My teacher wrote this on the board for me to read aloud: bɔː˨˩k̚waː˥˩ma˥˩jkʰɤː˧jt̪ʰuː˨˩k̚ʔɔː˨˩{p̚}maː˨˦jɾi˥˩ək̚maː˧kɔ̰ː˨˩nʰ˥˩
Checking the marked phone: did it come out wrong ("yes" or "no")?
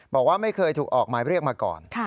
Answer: yes